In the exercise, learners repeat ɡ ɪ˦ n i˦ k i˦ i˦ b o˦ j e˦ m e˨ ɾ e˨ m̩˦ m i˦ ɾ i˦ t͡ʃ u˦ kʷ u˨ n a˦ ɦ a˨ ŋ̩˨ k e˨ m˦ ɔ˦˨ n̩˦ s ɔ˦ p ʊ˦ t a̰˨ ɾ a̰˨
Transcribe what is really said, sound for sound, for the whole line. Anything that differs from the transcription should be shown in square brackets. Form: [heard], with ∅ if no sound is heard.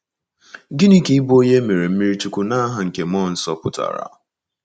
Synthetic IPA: ɡ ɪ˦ n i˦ k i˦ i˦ b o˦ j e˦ m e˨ ɾ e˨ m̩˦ m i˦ ɾ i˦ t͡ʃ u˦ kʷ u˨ n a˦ ɦ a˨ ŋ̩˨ k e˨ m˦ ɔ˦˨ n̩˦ s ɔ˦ p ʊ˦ t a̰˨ ɾ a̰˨